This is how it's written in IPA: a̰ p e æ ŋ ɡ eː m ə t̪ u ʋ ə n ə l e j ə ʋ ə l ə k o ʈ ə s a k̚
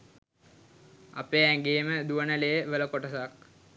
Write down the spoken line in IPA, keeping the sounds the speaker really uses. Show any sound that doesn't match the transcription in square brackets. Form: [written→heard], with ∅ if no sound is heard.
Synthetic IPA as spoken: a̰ p e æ ŋ ɡ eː m ə [t̪→d̪] u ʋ ə n ə l e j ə ʋ ə l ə k o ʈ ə s a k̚